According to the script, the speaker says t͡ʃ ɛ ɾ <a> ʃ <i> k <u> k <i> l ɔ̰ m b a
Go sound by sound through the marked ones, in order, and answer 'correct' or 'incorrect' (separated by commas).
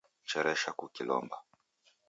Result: incorrect, incorrect, correct, correct